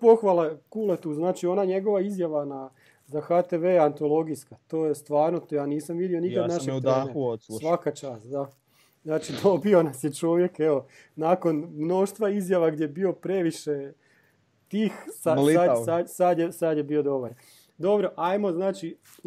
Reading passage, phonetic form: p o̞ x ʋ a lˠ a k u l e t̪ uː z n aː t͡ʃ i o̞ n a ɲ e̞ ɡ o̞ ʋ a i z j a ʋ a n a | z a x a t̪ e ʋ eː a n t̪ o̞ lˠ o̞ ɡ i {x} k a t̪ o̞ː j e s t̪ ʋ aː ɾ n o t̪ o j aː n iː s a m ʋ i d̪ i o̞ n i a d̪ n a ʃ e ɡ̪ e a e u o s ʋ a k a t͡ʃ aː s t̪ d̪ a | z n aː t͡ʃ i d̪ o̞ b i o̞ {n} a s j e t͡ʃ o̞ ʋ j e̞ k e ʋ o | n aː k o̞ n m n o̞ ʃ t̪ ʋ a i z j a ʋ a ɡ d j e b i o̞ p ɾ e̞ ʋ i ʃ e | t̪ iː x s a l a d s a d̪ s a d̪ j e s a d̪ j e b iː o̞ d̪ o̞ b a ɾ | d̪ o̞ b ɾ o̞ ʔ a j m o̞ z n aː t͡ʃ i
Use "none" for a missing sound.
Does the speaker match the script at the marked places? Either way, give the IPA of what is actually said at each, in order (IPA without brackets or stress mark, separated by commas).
s, n